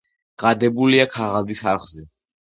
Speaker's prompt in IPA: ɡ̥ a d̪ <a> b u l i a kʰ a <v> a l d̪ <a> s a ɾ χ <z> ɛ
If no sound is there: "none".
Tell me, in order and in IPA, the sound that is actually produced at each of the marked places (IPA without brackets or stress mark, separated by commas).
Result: ɛ, ʁ, i, z